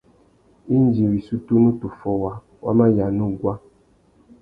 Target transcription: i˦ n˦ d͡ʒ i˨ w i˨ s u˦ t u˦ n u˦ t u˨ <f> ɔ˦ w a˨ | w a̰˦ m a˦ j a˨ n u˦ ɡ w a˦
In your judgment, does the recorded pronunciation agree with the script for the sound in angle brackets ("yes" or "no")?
yes